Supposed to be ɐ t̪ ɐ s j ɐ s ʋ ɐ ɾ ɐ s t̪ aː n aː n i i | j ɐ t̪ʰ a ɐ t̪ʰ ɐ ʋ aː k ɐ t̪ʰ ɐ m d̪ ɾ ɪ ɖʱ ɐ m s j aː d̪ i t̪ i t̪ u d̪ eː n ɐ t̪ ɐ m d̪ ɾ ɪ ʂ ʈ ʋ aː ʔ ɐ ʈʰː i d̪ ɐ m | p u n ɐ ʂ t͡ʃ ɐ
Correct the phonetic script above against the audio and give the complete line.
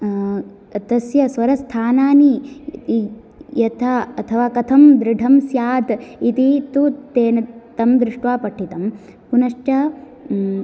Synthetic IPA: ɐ t̪ ɐ s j ɐ s ʋ ɐ ɾ ɐ s t̪ʰ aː n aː n i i | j ɐ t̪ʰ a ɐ t̪ʰ ɐ ʋ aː k ɐ t̪ʰ ɐ m d̪ ɾ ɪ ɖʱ ɐ m s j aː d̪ i t̪ i t̪ u t̪ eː n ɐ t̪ ɐ m d̪ ɾ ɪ ʂ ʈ ʋ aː p ɐ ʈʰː i t̪ ɐ m | p u n ɐ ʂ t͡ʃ ɐ

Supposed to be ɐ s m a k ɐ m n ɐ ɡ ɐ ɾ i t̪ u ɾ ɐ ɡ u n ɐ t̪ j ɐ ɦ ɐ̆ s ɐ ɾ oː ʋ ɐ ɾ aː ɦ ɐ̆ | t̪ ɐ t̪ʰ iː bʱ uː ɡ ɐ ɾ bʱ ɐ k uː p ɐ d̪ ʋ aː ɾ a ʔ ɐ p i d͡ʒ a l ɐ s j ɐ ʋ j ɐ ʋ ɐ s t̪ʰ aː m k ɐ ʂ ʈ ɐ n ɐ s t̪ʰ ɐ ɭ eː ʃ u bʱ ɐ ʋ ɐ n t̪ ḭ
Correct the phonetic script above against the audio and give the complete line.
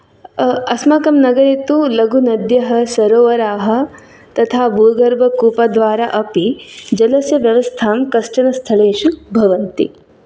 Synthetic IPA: ɐ s m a k ɐ m n ɐ ɡ ɐ ɾ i t̪ u l ɐ ɡ u n ɐ d̪ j ɐ ɦ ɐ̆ s ɐ ɾ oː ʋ ɐ ɾ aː ɦ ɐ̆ | t̪ ɐ t̪ʰ aː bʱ uː ɡ ɐ ɾ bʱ ɐ k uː p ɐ d̪ ʋ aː ɾ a ʔ ɐ p i d͡ʒ ɐ l ɐ s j ɐ ʋ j ɐ ʋ ɐ s t̪ʰ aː m k ɐ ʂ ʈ ɐ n ɐ s t̪ʰ ɐ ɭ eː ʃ u bʱ ɐ ʋ ɐ n t̪ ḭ

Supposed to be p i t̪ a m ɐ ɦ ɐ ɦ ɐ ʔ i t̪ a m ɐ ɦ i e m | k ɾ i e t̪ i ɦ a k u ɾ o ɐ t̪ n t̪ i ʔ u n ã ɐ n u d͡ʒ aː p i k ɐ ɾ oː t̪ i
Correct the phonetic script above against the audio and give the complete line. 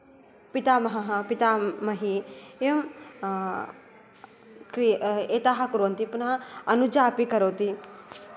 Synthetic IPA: p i t̪ a m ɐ ɦ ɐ ɦ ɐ p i t̪ a m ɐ ɦ i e m | k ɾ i e t̪ a ɦ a k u ɾ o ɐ n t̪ i p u n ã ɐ n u d͡ʒ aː p i k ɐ ɾ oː t̪ i

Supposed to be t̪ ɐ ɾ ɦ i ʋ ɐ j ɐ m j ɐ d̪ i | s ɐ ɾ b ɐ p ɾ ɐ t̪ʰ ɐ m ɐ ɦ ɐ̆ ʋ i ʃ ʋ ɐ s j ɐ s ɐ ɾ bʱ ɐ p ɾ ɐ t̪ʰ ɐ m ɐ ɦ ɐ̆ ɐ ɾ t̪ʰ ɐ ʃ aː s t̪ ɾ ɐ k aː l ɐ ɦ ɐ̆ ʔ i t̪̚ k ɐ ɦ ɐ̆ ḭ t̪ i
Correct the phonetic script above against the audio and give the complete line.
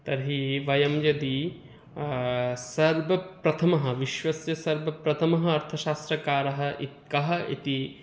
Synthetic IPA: t̪ ɐ ɾ ɦ i ʋ ɐ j ɐ m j ɐ d̪ i | s ɐ ɾ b ɐ p ɾ ɐ t̪ʰ ɐ m ɐ ɦ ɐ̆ ʋ i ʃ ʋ ɐ s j ɐ s ɐ ɾ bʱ ɐ p ɾ ɐ t̪ʰ ɐ m ɐ ɦ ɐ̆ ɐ ɾ t̪ʰ ɐ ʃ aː s t̪ ɾ ɐ k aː ɾ ɐ ɦ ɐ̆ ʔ i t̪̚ k ɐ ɦ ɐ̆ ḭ t̪ i

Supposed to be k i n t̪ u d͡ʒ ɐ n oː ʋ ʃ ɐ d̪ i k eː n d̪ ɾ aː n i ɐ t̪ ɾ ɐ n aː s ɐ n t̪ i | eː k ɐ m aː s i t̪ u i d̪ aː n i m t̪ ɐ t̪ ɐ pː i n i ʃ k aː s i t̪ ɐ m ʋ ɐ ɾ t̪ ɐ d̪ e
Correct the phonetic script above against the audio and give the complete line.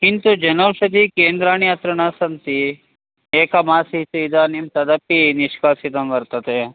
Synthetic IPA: k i n t̪ u d͡ʒ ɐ n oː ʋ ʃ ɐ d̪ i k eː n d̪ ɾ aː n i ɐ t̪ ɾ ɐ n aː s ɐ n t̪ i | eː k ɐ m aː s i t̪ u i d̪ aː n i m t̪ ɐ d̪ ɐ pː i n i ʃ k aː s i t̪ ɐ m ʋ ɐ ɾ t̪ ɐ t̪ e

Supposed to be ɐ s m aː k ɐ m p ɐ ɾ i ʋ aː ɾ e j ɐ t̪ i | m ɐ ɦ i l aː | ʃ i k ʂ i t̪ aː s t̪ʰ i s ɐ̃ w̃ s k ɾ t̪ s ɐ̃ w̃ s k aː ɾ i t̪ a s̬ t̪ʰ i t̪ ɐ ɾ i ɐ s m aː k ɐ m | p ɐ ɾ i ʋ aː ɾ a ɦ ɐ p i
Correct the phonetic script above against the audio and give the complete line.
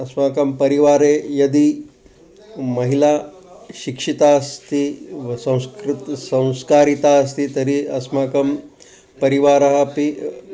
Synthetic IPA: ɐ s m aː k ɐ m p ɐ ɾ i ʋ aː ɾ e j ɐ d̪ i | m ɐ ɦ i l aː | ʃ i k ʂ i t̪ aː s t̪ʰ i s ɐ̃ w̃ s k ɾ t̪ s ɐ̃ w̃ s k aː ɾ i t̪ a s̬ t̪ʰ i t̪ ɐ ɾ i ɐ s m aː k ɐ m | p ɐ ɾ i ʋ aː ɾ ɐ ɦ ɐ p i

